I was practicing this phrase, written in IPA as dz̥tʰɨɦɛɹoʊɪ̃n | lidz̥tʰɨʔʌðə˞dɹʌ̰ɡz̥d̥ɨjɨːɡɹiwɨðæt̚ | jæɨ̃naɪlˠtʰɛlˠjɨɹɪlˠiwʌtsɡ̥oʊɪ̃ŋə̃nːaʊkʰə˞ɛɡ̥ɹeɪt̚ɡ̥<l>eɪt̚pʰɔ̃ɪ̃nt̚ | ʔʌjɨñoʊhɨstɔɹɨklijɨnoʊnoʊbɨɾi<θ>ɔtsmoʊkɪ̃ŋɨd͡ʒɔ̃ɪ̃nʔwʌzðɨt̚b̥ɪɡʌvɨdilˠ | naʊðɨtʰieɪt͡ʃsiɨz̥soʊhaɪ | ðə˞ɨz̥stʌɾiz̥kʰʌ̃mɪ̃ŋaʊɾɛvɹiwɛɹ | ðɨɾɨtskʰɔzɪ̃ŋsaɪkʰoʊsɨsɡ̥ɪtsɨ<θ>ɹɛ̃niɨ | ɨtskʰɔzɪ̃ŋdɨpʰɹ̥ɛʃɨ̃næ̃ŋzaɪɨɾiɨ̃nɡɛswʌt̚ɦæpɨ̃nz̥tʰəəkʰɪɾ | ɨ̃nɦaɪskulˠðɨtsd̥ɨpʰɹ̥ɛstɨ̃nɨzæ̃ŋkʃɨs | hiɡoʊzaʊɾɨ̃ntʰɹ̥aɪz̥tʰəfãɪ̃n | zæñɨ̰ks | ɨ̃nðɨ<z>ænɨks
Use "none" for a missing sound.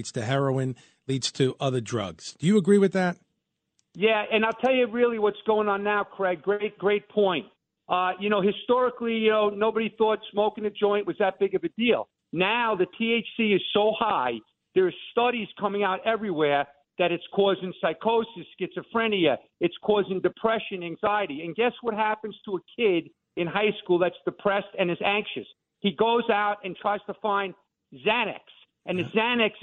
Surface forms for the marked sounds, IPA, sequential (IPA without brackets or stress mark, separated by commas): ɹ, θ, f, z